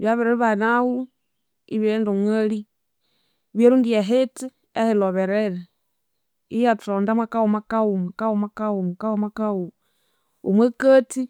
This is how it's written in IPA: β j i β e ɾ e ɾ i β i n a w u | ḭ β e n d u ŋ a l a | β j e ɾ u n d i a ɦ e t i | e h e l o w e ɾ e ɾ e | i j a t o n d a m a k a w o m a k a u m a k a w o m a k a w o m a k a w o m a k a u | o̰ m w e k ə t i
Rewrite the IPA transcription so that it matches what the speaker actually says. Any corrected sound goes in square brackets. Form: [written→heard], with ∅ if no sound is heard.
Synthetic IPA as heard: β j [i→a] β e ɾ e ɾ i β [i→a] n a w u | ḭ β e n d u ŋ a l [a→i] | β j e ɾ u n d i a ɦ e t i | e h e l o [w→β] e ɾ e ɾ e | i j a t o n d a m a k a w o m a k a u m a k a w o m a k a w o m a k a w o m a k a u | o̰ m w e k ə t i